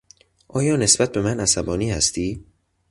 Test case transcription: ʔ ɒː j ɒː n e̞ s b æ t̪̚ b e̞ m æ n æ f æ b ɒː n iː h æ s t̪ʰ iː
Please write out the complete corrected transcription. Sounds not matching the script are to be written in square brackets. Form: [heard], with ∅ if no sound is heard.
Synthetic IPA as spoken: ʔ ɒː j ɒː n e̞ s b æ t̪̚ b e̞ m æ n æ [s] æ b ɒː n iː h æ s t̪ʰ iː

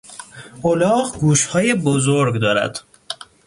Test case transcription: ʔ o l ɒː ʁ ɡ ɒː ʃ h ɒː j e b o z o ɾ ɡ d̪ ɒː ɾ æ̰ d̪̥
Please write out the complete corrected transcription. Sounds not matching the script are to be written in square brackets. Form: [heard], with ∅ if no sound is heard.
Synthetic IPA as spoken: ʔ o l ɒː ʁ ɡ [uː] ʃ h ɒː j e b o z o ɾ ɡ d̪ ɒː ɾ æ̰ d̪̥

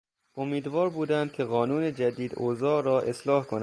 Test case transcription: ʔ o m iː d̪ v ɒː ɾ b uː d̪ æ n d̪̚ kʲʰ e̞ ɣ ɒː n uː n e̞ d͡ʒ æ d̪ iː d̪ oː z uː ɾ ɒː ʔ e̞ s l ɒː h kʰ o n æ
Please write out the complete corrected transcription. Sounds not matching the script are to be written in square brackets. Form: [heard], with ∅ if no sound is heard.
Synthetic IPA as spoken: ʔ o m iː d̪ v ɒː ɾ b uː d̪ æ n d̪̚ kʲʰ e̞ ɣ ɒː n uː n e̞ d͡ʒ æ d̪ iː d̪ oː z [ɒː] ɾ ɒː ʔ e̞ s l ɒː h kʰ o n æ

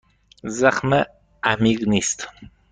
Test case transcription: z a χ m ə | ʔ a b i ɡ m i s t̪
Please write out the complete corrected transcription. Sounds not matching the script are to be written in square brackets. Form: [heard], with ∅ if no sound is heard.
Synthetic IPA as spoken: z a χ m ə | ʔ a [m] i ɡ [n] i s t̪

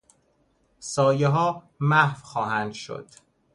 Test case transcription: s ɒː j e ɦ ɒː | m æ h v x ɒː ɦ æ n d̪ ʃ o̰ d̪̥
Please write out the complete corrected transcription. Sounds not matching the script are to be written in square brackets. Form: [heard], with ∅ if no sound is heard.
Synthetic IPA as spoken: s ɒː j e ɦ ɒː | m æ h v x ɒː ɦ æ n d̪ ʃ o̰ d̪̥

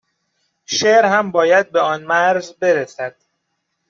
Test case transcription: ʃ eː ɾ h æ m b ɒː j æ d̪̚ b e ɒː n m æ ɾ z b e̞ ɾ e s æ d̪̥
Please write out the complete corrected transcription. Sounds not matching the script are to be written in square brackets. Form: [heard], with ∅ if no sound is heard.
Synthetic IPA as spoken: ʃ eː ɾ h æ m b ɒː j æ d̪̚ b e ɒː n m æ ɾ z b e̞ ɾ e s æ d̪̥

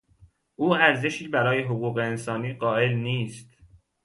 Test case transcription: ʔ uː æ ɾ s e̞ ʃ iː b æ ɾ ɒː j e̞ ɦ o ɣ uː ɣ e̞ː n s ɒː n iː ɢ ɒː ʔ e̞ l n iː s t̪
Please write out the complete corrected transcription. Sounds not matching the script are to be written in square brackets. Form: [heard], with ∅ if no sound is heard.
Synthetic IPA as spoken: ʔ uː æ ɾ [z] e̞ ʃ iː b æ ɾ ɒː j e̞ ɦ o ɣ uː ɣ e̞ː n s ɒː n iː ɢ ɒː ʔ e̞ l n iː s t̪

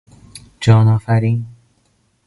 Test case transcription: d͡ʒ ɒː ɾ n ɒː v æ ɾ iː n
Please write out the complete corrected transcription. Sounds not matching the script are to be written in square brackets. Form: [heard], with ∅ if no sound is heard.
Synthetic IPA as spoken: d͡ʒ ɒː [∅] n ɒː [f] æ ɾ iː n

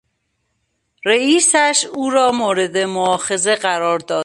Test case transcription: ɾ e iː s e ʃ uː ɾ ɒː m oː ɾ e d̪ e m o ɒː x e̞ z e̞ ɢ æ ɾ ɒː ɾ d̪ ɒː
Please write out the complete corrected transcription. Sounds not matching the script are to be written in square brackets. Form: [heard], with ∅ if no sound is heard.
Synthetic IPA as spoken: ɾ e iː s [æ] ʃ uː ɾ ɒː m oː ɾ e d̪ e m o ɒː x e̞ z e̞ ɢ æ ɾ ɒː ɾ d̪ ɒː

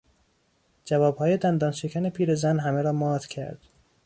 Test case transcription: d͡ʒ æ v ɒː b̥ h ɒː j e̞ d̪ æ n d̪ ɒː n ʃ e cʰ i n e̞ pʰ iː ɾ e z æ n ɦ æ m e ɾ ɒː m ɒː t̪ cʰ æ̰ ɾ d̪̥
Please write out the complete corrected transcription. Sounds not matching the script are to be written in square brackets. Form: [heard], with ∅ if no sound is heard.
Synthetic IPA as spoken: d͡ʒ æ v ɒː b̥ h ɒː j e̞ d̪ æ n d̪ ɒː n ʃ e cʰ [æ] n e̞ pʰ iː ɾ e z æ n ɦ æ m e ɾ ɒː m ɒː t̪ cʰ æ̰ ɾ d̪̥

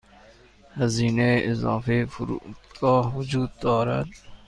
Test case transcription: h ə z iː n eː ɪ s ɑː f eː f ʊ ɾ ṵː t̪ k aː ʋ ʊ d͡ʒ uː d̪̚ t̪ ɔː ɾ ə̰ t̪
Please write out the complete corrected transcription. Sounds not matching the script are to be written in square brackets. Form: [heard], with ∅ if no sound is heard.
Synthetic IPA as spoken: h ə z iː n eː ɪ [z] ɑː f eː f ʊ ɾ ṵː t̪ k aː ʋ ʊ d͡ʒ uː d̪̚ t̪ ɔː ɾ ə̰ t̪

